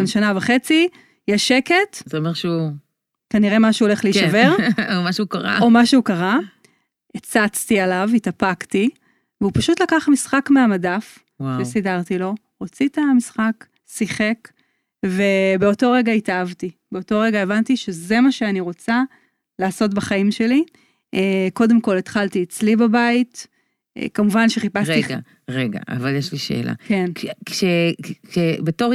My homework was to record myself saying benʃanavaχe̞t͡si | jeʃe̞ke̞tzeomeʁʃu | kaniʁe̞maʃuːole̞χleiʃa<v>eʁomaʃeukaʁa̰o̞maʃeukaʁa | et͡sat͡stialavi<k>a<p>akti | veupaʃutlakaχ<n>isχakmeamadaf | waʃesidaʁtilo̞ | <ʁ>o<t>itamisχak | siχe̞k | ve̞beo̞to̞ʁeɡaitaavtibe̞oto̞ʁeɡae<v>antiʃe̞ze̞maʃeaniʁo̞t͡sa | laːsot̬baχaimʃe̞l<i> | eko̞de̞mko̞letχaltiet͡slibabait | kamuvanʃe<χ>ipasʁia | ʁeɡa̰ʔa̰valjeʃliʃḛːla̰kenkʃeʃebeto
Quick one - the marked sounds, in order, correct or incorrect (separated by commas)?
correct, incorrect, correct, incorrect, correct, incorrect, correct, correct, correct